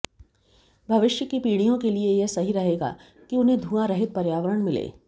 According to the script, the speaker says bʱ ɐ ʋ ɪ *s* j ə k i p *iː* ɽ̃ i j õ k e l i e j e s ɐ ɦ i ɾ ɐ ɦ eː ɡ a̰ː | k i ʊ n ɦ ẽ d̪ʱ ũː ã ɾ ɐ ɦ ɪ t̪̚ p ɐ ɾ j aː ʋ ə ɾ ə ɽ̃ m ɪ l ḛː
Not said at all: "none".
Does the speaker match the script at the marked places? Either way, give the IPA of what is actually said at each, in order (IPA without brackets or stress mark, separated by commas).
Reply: ʃ, iː